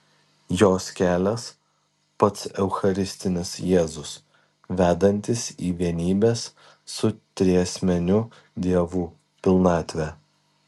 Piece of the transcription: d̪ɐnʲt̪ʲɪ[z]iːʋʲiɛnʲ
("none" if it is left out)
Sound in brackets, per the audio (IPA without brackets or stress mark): s